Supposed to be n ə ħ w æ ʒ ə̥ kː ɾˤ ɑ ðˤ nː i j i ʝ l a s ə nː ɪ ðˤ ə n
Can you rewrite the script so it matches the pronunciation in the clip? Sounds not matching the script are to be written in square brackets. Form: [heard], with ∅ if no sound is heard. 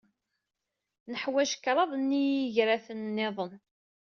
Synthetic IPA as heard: n ə ħ w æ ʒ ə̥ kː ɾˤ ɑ ðˤ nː i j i ʝ [ɾ] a [θ] ə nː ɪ ðˤ ə n